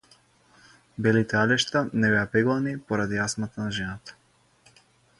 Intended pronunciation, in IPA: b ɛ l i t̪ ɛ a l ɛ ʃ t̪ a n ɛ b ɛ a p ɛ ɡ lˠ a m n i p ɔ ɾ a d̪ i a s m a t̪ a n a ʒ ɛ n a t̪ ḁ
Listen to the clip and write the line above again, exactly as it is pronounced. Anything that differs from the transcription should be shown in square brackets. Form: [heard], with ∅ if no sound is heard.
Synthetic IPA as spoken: b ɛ l i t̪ ɛ a l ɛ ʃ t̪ a n ɛ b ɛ a p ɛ ɡ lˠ a [∅] n i p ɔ ɾ a d̪ i a s m a t̪ a n a ʒ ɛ n a t̪ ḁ